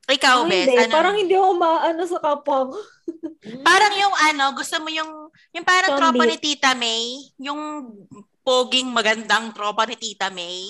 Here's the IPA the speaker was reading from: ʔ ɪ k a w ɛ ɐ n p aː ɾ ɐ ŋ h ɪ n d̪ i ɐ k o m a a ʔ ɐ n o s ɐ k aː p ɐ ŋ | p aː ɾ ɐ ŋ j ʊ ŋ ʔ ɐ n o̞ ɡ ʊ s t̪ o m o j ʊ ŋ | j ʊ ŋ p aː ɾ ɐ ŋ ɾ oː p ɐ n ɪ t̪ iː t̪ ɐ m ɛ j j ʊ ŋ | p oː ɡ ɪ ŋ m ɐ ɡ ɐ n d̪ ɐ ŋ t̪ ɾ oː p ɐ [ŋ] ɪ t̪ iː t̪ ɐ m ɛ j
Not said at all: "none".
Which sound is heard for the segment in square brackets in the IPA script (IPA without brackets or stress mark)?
n